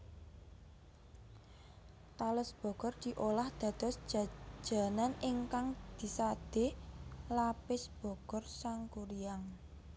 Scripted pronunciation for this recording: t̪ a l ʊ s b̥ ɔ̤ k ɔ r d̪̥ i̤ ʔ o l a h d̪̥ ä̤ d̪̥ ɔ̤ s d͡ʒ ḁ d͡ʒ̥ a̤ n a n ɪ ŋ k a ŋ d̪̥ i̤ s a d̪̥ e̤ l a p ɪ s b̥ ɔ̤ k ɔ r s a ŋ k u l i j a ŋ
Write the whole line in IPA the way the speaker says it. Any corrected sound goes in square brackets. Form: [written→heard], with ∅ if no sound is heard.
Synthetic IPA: t̪ a l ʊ s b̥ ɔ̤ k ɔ r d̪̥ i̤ ʔ o l a h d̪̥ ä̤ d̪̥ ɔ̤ s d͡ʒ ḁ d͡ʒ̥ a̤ n a n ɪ ŋ k a ŋ d̪̥ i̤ s a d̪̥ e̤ l a p ɪ s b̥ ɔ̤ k ɔ r s a ŋ k u [l→ɾ] i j a ŋ